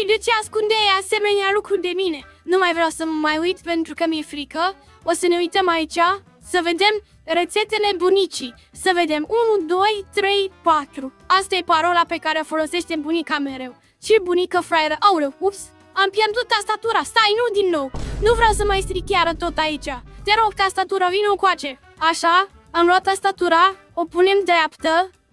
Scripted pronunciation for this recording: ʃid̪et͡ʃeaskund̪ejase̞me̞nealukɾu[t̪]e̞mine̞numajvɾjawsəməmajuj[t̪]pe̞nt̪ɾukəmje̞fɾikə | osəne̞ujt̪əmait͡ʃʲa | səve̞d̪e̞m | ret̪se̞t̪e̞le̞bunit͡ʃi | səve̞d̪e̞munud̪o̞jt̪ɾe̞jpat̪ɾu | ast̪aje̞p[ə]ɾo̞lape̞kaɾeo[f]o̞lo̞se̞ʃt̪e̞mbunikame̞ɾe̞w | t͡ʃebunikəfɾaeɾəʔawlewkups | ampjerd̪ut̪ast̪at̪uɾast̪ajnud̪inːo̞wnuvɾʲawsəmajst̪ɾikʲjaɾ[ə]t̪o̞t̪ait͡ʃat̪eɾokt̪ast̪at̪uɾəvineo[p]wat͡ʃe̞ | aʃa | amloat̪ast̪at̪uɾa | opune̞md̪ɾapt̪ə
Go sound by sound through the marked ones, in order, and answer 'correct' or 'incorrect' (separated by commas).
incorrect, correct, incorrect, correct, correct, incorrect